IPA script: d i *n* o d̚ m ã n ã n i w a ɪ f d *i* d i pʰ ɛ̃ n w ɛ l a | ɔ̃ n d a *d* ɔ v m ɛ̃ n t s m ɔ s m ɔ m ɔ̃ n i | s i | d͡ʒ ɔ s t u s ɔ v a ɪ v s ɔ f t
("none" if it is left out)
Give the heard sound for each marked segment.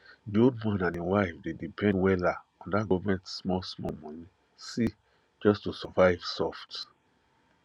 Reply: none, e, ɡ

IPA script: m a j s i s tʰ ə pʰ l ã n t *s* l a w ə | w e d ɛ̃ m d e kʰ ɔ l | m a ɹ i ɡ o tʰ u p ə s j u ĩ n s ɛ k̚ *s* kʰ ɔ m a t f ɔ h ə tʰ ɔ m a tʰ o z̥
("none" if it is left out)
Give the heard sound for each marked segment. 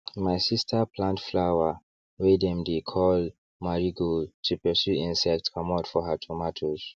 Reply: f, t

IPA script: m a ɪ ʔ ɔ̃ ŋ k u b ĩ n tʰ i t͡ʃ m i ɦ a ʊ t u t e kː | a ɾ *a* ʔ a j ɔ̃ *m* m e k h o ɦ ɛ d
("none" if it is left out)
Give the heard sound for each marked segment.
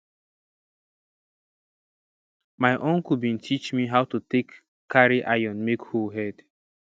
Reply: i, n

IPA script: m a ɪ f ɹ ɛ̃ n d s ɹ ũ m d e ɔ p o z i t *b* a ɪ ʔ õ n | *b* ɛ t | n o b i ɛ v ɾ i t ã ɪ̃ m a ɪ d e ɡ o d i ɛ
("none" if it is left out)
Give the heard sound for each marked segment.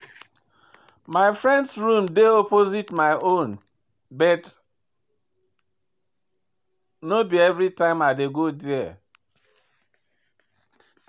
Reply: m, b

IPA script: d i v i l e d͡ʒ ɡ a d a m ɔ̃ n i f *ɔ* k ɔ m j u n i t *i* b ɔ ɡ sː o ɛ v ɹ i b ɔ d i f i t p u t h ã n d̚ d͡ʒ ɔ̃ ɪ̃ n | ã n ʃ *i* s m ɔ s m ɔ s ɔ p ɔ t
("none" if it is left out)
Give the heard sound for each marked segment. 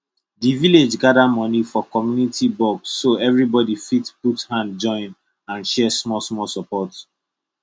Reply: ɔ, i, ɛ

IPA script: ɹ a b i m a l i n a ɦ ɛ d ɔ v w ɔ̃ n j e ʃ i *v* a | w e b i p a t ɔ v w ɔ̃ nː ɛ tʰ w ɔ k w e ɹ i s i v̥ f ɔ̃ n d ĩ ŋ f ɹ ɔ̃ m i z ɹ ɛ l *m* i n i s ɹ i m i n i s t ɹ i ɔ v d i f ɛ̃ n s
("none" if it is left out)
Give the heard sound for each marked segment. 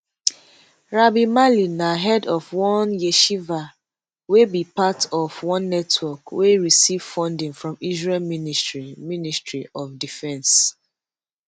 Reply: v, m

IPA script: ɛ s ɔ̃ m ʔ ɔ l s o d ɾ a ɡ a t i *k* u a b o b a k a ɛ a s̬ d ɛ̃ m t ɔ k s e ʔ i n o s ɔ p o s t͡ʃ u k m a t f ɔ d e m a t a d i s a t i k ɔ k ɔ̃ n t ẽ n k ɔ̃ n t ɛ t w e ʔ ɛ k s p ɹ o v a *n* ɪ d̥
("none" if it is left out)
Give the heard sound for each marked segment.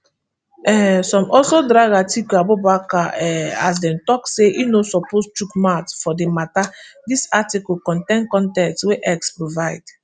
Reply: k, none

